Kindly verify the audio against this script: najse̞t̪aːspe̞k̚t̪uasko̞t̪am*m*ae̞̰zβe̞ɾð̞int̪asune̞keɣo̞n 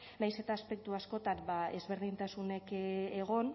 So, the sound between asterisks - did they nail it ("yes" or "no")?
no